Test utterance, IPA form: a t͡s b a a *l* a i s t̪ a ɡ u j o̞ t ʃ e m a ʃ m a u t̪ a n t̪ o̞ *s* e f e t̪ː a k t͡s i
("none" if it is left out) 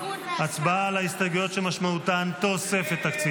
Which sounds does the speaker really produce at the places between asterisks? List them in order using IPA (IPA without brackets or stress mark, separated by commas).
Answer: l, s